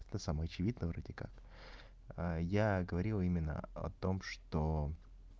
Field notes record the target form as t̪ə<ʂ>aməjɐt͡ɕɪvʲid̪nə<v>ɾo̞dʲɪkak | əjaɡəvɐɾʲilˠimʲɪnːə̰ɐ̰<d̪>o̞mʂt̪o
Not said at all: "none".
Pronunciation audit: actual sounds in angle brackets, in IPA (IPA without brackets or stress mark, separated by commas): s, v, t̪